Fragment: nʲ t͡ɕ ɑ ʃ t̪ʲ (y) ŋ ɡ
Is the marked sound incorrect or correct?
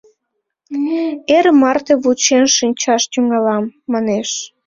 correct